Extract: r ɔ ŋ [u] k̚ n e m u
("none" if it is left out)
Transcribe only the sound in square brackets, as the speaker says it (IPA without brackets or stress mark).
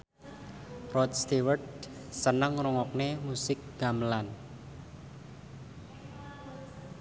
ɔ